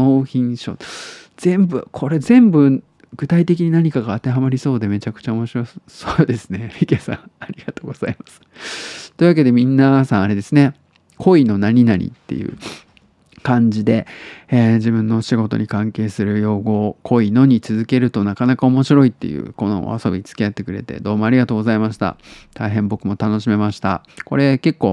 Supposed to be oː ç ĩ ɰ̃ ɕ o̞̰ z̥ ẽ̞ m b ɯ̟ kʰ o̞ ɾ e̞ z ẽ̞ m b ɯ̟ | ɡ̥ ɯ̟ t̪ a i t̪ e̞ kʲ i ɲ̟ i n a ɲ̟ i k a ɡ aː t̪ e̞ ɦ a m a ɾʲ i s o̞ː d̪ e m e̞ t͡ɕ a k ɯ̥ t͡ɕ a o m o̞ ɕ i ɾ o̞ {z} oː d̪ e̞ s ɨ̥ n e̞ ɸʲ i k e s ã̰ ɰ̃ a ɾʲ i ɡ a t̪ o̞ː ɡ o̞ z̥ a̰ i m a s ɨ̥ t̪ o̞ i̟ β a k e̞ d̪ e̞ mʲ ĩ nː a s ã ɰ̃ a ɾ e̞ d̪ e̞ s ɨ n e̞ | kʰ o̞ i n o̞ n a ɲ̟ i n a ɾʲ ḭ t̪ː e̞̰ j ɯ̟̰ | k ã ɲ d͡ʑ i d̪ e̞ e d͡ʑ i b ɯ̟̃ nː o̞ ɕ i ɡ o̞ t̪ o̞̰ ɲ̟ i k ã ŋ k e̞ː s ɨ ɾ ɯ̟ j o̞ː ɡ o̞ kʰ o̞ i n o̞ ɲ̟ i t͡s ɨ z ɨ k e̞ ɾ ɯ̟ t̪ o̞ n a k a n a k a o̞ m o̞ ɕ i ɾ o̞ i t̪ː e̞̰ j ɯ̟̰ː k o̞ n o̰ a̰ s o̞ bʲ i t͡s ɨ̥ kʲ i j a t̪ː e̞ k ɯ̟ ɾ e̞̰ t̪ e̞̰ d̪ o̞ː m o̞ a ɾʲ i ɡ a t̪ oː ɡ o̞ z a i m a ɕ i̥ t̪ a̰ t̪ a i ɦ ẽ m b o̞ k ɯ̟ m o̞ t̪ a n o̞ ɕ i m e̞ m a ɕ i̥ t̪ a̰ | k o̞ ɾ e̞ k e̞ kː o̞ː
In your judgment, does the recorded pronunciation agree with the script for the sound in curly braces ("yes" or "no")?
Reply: no